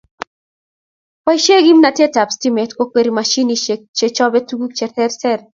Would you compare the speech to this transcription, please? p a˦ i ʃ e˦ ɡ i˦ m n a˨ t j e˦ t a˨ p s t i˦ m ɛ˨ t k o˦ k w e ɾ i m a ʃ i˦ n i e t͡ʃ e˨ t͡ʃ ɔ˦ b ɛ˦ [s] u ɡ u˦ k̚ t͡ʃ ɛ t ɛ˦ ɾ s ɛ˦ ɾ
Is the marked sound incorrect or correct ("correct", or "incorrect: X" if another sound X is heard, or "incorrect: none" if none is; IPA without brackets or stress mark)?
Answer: incorrect: t